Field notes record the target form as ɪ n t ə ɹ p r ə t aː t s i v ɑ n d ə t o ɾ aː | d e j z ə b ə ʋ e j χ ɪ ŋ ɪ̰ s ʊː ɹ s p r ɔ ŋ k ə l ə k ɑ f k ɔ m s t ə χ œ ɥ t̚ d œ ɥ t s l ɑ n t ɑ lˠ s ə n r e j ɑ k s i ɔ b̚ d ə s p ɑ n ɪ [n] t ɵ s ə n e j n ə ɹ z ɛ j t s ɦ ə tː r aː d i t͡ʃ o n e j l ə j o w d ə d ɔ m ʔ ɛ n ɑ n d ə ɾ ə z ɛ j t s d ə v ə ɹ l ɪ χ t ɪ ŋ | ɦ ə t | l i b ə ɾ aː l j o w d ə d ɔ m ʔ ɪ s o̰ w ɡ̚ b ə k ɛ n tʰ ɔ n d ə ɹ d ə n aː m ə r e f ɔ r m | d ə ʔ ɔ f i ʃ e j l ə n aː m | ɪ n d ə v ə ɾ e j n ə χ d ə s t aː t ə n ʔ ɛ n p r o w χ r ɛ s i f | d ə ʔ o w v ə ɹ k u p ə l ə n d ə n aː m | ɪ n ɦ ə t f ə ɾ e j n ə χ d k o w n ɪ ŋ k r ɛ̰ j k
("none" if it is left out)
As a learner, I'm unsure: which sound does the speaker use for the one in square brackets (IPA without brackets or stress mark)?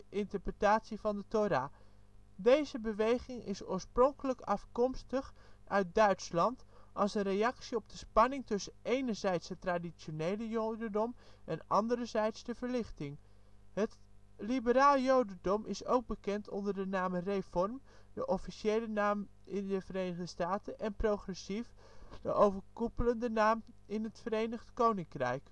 ŋ